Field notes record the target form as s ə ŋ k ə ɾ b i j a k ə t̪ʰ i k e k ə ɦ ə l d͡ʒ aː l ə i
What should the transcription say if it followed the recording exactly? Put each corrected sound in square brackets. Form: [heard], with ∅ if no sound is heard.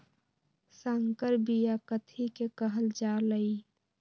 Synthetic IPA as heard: s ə ŋ k ə ɾ b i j a k ə t̪ʰ i k e k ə ɦ ə l d͡ʒ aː l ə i